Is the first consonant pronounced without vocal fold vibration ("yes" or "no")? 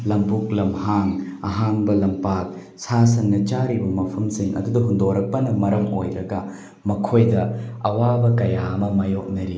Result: no